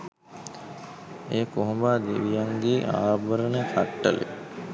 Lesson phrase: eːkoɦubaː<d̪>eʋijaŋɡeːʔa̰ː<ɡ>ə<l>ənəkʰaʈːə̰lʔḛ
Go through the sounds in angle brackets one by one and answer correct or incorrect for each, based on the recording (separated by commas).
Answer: correct, incorrect, incorrect